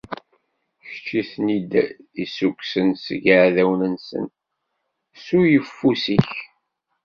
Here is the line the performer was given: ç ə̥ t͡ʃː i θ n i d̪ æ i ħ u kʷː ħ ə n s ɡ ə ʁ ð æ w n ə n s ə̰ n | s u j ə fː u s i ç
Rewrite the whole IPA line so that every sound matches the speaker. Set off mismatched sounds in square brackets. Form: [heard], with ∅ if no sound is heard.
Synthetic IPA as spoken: ç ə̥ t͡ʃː i θ n i d̪ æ i [s] u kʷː [s] ə n s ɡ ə [ʕ] ð æ w n ə n s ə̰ n | s u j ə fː u s i ç